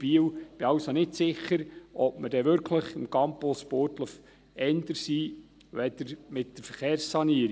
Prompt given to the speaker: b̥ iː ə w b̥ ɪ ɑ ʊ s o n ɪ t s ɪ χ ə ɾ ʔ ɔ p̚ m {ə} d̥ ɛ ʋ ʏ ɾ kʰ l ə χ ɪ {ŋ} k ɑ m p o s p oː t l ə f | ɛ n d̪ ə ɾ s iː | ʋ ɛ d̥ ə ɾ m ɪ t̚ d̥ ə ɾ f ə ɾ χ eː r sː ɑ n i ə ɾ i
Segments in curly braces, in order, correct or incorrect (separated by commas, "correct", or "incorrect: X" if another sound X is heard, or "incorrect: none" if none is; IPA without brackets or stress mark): correct, incorrect: m